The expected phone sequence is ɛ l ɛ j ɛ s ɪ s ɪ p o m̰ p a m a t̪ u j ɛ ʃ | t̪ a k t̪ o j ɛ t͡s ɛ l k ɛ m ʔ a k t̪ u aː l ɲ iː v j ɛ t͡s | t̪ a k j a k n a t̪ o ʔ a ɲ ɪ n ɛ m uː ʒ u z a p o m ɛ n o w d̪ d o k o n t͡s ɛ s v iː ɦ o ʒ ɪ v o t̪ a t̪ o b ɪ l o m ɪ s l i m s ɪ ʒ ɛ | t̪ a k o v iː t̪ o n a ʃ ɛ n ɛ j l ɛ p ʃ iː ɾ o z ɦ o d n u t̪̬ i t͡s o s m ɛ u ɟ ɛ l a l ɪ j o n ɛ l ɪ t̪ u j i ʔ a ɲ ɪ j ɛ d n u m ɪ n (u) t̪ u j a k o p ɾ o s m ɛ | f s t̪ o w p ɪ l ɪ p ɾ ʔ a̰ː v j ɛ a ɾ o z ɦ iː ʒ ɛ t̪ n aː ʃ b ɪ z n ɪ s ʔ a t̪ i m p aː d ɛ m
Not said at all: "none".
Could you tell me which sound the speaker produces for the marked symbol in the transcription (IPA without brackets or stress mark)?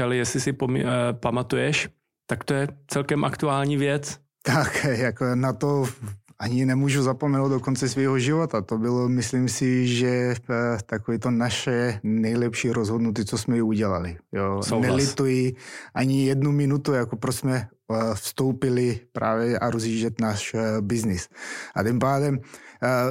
u